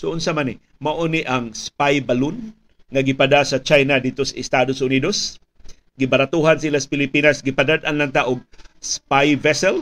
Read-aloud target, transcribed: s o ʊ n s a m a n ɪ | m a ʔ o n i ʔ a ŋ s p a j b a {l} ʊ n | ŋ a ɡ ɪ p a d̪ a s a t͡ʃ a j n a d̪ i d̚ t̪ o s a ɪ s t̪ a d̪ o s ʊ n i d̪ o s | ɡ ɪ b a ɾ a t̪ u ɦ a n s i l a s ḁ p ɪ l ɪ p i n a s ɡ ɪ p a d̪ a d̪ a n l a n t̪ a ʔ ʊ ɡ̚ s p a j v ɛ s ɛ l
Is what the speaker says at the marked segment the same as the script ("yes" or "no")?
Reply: yes